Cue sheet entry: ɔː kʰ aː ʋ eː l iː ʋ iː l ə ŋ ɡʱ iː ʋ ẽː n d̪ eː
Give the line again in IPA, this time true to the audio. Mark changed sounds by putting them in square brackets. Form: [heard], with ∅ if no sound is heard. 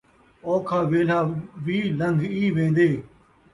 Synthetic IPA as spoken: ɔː kʰ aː ʋ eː l [aː] ʋ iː l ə ŋ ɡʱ iː ʋ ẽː n d̪ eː